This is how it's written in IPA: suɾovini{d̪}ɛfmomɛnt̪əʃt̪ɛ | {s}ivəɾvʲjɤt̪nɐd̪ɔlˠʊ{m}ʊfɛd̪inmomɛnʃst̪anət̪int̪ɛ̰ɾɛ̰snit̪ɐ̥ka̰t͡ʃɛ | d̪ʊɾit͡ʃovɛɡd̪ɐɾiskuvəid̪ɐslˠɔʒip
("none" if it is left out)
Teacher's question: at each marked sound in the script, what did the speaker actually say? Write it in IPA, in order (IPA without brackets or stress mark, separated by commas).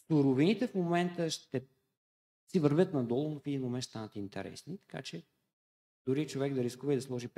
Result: t̪, s, n